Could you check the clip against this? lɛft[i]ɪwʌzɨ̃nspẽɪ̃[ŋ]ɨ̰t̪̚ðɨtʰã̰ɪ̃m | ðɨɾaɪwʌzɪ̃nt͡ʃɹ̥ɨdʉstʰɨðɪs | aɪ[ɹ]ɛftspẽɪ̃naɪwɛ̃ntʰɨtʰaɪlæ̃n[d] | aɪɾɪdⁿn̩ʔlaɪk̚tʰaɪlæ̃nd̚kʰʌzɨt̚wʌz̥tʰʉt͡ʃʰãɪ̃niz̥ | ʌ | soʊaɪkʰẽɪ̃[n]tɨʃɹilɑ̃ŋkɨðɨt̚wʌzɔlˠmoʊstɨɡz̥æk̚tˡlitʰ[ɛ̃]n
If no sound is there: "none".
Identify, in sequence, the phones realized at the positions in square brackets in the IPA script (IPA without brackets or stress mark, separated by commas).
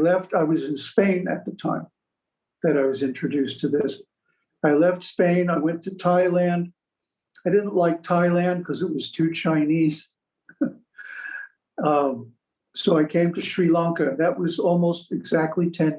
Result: a, n, l, d, m, ɛ̃